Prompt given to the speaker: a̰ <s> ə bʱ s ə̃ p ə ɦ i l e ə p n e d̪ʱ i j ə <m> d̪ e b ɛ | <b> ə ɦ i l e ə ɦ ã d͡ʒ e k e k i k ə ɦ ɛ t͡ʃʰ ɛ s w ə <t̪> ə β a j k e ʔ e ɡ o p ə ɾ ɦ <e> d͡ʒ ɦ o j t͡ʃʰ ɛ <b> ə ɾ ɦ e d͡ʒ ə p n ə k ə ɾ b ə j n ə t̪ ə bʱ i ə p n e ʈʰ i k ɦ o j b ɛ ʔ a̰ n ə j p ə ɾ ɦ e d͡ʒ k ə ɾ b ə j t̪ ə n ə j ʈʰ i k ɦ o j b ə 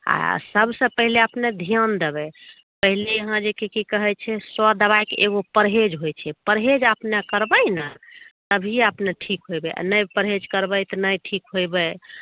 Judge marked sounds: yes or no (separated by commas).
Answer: yes, no, no, no, yes, no